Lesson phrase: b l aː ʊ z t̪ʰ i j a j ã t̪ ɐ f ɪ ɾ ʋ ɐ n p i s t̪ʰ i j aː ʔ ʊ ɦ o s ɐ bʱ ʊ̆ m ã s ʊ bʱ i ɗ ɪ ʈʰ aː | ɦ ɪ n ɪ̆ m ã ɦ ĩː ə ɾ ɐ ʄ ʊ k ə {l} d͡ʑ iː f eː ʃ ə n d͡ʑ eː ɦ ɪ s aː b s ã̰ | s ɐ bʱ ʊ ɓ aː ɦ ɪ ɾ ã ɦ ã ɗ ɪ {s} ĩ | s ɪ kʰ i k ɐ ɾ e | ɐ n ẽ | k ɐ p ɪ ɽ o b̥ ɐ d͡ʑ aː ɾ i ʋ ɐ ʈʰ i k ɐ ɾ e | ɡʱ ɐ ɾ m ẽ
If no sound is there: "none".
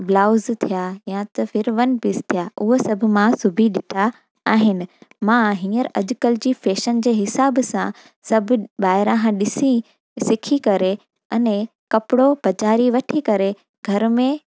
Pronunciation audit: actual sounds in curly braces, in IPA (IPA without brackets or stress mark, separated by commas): l, s